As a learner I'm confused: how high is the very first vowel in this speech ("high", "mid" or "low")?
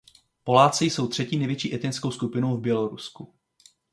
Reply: mid